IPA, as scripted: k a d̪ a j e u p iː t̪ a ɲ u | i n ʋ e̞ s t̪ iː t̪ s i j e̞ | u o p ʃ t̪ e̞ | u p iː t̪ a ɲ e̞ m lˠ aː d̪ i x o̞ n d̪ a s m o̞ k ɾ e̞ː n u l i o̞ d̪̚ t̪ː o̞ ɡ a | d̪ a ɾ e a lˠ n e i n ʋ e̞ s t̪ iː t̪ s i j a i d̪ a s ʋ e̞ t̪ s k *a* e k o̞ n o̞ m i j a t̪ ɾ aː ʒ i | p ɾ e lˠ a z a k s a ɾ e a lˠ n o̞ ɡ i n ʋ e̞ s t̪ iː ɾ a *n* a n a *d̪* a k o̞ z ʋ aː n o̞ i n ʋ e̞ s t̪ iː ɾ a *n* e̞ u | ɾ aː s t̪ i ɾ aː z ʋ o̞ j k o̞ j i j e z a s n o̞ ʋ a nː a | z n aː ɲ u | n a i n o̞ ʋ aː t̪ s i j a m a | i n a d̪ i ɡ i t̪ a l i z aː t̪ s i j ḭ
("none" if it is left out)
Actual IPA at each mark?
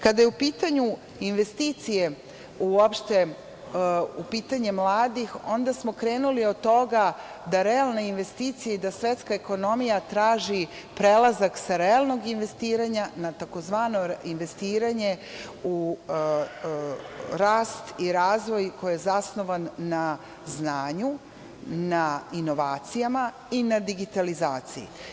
a, ɲ, t̪, ɲ

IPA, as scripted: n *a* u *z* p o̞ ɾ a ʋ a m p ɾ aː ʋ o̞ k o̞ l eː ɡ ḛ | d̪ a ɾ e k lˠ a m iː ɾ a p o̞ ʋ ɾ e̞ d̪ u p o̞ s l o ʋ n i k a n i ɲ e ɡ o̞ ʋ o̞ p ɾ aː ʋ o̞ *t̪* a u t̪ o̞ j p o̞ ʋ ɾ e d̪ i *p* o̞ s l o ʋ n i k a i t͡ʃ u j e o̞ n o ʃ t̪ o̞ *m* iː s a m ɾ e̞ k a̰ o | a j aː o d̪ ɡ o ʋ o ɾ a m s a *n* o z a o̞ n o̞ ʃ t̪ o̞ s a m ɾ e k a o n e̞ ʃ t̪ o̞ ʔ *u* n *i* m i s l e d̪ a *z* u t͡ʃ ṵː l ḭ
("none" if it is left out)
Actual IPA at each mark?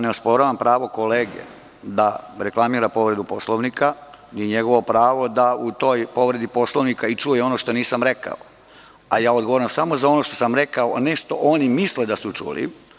e, s, d̪, p, n, m, o, i, s

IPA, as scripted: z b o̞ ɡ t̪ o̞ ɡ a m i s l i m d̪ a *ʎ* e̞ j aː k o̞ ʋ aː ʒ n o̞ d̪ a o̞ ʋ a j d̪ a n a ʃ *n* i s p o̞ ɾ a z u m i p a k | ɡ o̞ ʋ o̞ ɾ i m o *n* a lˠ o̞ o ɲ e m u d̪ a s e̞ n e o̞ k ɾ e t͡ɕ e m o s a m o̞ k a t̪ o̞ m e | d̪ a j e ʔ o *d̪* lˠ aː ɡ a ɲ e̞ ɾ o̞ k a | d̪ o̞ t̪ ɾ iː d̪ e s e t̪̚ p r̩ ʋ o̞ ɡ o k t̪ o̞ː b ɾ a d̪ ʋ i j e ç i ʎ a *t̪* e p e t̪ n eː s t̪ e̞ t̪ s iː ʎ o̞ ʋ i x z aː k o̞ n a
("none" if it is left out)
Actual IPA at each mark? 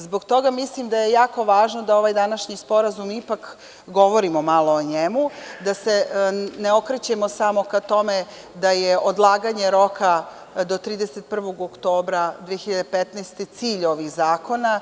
j, ɲ, m, d̪, d̪

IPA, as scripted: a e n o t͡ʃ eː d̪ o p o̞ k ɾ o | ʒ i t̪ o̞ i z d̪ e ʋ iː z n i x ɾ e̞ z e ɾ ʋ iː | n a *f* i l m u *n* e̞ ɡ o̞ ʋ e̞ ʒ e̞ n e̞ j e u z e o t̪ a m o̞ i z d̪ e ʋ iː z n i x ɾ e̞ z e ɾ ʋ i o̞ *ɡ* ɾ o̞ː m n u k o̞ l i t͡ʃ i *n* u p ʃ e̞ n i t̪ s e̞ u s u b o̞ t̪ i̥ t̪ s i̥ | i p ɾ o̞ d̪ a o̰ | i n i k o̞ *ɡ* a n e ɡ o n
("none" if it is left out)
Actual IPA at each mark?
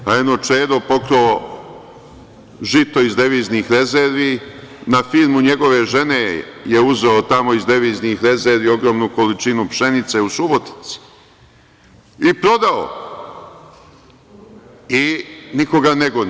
f, ɲ, ɡ, n, ɡ

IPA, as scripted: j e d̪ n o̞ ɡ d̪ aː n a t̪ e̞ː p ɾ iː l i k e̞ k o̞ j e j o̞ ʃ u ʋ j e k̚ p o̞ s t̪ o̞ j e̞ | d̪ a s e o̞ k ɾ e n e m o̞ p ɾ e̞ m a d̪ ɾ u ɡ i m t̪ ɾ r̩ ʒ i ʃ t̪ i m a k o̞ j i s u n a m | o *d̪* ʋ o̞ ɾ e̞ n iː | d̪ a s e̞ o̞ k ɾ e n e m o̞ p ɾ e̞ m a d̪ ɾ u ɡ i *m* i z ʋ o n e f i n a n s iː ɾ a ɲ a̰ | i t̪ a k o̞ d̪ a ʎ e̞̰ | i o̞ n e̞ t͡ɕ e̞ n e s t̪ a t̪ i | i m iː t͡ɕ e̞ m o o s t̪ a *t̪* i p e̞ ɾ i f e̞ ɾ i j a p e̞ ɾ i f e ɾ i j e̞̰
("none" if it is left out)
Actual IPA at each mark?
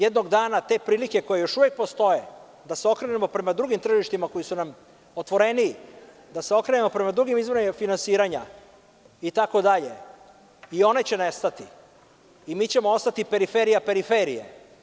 t̪, m, t̪

